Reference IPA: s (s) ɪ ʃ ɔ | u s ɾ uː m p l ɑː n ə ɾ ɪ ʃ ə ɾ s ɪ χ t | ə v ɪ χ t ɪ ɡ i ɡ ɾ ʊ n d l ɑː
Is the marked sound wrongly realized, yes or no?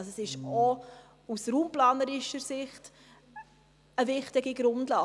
no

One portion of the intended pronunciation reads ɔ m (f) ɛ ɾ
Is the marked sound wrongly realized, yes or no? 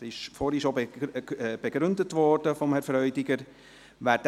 yes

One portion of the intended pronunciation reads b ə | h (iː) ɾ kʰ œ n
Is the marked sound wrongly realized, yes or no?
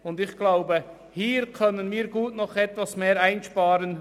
no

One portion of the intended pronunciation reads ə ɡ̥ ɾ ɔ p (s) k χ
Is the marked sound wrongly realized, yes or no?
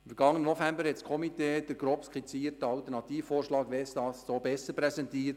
no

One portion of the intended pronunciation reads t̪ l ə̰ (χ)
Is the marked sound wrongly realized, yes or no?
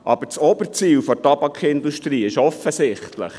no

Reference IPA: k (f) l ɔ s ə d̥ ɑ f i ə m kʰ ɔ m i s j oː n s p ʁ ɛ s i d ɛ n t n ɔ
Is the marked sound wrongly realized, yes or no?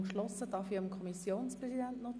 yes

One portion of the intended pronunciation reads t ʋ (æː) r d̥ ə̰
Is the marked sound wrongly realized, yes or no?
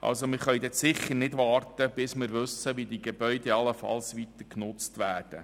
no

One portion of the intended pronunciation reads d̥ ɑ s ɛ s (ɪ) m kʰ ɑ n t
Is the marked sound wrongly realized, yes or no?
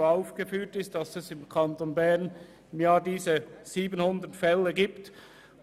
no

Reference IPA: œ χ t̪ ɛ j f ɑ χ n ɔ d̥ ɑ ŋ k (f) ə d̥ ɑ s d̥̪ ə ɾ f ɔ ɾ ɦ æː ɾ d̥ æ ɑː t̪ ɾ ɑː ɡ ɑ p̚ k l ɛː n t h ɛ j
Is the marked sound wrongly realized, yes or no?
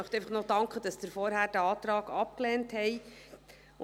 yes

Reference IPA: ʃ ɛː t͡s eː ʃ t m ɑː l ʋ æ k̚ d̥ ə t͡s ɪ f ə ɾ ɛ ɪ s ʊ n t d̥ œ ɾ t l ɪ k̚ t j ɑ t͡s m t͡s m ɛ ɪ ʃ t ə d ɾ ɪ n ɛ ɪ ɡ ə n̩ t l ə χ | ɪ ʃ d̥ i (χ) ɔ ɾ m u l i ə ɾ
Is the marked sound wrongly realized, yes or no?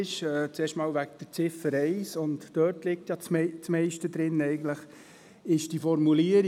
yes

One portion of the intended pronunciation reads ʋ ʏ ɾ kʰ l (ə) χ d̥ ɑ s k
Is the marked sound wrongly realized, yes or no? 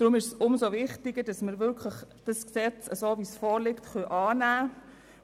no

